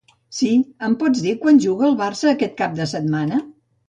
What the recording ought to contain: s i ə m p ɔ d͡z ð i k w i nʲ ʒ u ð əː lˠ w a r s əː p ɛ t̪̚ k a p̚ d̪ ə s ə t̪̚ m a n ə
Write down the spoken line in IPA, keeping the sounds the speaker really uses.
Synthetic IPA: s i ə m p ɔ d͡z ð i k w a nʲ ʒ u ɣ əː lˠ β a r s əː k ɛ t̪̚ k a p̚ d̪ ə s ə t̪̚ m a n ə